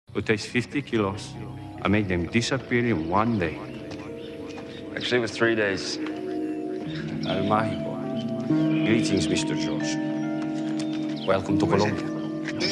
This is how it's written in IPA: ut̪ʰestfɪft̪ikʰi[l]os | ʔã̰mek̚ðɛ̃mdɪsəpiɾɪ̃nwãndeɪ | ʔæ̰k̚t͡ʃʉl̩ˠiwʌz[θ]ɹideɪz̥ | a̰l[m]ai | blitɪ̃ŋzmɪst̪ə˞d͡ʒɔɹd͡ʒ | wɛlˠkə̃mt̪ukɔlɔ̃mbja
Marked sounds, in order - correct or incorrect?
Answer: correct, correct, correct

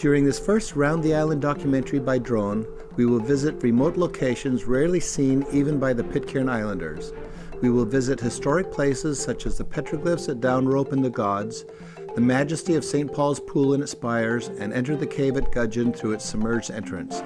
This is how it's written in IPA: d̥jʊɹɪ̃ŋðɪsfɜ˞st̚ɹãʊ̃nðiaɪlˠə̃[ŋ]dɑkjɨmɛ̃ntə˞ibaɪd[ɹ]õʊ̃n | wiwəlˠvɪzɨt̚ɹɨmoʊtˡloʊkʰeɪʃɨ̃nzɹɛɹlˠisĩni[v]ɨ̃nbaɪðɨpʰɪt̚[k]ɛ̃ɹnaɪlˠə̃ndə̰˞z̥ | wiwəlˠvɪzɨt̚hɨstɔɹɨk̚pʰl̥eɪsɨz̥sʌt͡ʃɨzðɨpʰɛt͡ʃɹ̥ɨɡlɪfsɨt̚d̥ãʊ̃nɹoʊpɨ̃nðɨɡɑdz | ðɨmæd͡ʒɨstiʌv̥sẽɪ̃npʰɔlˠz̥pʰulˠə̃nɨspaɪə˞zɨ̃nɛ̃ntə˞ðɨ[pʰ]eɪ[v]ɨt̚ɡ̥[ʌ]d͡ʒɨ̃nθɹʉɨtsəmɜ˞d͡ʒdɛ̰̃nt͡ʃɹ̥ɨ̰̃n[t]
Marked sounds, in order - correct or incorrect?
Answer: incorrect: n, correct, correct, incorrect: kʰ, incorrect: kʰ, correct, correct, incorrect: s

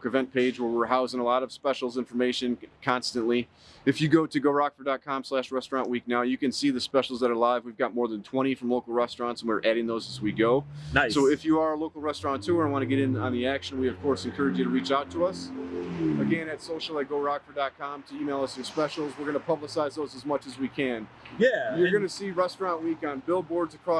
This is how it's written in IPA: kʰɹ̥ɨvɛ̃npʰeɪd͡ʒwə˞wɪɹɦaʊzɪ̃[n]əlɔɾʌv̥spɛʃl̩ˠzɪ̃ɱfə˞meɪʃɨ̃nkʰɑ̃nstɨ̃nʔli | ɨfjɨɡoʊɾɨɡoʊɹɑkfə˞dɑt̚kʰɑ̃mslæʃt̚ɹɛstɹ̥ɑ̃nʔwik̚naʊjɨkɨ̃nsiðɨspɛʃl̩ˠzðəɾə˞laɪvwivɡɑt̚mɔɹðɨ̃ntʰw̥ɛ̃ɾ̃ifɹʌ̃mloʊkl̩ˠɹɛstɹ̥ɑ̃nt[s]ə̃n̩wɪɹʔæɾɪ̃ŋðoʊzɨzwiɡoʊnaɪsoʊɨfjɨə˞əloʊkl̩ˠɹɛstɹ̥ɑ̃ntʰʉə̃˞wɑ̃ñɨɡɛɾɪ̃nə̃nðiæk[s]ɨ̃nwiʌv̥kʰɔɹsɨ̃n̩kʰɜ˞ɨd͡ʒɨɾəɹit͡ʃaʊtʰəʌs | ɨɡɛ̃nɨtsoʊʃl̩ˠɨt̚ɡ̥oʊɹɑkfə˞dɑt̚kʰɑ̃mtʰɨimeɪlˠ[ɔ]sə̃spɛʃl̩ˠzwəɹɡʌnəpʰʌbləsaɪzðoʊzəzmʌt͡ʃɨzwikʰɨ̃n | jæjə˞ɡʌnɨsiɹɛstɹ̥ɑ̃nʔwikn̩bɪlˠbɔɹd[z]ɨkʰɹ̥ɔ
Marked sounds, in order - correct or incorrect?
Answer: incorrect: ŋ, correct, incorrect: ʃ, incorrect: ʌ, correct

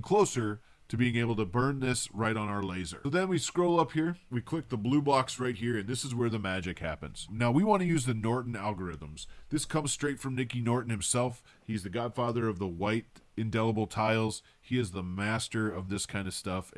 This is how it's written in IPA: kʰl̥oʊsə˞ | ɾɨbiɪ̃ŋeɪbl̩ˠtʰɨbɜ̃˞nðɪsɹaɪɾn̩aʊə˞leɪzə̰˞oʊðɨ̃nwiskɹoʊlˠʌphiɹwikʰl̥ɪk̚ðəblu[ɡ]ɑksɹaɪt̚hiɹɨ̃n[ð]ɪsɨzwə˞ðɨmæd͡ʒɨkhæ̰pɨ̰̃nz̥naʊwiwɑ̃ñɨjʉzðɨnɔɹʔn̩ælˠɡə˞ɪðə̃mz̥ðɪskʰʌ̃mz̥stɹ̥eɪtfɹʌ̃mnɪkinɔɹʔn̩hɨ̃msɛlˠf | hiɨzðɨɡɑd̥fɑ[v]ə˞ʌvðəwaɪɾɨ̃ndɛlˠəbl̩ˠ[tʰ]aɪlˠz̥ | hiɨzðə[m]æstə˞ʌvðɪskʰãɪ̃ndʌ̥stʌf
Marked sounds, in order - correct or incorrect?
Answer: incorrect: b, correct, incorrect: ð, correct, correct

